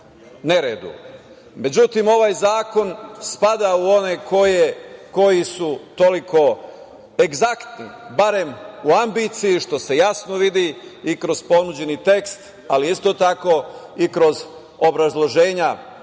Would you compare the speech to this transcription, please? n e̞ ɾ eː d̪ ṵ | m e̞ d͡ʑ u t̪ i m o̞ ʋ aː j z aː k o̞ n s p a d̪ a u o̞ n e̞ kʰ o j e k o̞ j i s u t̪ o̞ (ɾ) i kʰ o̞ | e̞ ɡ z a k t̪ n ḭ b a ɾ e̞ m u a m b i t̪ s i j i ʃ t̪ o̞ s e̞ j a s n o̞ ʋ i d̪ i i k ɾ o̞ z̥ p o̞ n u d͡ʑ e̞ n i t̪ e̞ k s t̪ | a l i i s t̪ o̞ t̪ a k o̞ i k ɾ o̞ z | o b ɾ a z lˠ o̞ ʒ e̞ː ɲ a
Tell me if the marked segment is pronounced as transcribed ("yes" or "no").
no